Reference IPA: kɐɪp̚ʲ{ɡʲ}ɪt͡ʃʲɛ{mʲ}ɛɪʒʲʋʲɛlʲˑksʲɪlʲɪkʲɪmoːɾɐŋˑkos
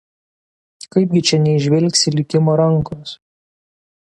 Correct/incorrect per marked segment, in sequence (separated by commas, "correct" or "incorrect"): correct, incorrect